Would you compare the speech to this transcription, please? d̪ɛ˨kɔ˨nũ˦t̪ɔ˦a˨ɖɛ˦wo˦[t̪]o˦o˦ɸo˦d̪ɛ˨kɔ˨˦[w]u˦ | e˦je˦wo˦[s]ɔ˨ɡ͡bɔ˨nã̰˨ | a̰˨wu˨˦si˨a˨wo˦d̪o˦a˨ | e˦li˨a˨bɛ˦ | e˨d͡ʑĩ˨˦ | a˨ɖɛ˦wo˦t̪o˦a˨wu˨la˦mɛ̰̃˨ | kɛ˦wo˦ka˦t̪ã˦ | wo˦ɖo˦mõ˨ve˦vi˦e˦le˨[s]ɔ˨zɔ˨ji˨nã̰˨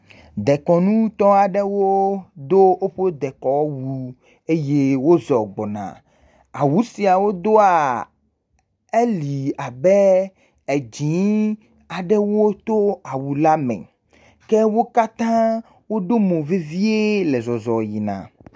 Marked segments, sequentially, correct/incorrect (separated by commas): incorrect, correct, incorrect, incorrect